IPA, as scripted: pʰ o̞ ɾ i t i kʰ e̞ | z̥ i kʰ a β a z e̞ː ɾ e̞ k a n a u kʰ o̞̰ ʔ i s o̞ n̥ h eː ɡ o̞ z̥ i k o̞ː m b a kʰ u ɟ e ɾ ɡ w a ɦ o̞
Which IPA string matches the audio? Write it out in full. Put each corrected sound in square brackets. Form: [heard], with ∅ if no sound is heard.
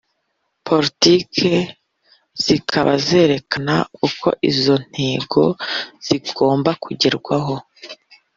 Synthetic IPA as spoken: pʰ o̞ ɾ i t i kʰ e̞ | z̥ i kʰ a β a z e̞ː ɾ e̞ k a n a u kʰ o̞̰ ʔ i [z] o̞ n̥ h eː ɡ o̞ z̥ i [ɡ] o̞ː m b a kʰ u ɟ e ɾ ɡ w a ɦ o̞